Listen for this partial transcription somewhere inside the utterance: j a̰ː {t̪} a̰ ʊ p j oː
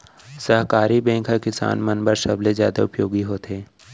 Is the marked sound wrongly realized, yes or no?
yes